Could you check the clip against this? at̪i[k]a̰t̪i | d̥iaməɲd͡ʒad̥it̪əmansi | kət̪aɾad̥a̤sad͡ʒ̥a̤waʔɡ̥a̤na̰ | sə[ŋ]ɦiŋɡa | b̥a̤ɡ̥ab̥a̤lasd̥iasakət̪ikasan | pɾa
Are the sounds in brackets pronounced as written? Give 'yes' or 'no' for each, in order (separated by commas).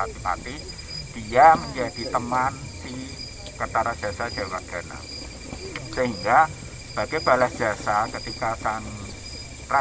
no, no